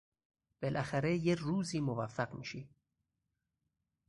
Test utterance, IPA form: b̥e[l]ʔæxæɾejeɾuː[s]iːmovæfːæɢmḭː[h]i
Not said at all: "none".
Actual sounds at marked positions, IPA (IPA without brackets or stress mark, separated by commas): l, z, ʃ